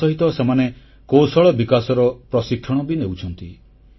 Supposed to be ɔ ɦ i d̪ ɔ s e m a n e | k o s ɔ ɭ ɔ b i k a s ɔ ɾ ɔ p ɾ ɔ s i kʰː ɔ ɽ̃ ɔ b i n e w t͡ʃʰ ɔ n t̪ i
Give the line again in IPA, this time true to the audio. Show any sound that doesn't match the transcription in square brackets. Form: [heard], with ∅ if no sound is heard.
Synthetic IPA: ɔ ɦ i [t̪] ɔ s e m a n e | k o s ɔ ɭ ɔ b i k a s ɔ ɾ ɔ p ɾ ɔ s i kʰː ɔ ɽ̃ ɔ b i n e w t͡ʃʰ ɔ n t̪ i